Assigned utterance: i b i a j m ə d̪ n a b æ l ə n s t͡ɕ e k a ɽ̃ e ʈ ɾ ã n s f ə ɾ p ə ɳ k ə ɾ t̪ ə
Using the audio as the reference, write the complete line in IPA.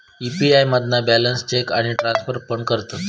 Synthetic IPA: i p i a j m ə d̪ n a b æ l ə n s t͡ɕ e k a ɽ̃ i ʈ ɾ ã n s f ə ɾ p ə ɳ k ə ɾ t̪ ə